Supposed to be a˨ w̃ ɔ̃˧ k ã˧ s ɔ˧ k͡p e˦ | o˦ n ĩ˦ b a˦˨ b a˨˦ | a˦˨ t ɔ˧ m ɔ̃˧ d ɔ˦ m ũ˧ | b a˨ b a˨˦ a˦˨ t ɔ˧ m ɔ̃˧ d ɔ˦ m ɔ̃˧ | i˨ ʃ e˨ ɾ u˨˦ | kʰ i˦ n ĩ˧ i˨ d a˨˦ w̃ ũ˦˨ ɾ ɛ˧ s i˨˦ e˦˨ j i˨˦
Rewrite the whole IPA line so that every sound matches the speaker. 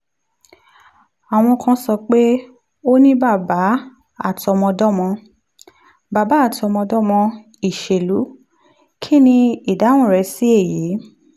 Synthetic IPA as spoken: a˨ w̃ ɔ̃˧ k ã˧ s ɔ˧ k͡p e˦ | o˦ n ĩ˦ b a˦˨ b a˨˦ | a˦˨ t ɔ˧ m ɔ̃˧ d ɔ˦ m ɔ̃˧ | b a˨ b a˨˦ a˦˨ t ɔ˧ m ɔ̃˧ d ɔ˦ m ɔ̃˧ | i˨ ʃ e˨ l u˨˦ | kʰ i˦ n ĩ˧ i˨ d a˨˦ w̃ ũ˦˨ ɾ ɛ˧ s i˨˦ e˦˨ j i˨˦